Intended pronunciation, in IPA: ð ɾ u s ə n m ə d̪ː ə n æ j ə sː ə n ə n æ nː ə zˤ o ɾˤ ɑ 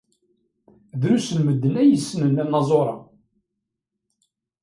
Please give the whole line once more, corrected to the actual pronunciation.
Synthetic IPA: ð ɾ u s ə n m ə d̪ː ə n æ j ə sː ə n ə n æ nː ɑ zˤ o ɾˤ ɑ